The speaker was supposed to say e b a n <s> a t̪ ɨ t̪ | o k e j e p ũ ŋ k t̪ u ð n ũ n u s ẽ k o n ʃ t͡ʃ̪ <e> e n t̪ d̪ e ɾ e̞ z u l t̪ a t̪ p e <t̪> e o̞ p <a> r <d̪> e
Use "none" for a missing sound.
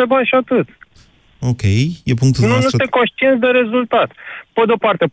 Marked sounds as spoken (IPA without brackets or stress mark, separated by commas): ʃ, i, d̪, a, t̪